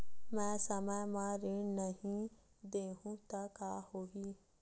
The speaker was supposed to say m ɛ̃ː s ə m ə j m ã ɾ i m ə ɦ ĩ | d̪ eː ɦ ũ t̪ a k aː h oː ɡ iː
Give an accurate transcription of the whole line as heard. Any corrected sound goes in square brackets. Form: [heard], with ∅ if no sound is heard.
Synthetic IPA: m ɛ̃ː s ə m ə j m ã ɾ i [n] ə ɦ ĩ | d̪ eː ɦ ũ t̪ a k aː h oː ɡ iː